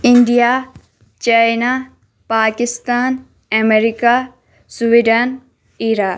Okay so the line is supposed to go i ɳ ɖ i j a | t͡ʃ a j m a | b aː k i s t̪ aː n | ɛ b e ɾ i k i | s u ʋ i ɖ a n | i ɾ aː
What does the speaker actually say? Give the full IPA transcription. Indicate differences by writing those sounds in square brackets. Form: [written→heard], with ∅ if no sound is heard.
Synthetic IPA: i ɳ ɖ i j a | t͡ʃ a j [m→n] a | [b→p] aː k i s t̪ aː n | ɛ [b→m] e ɾ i k [i→a] | s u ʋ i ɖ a n | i ɾ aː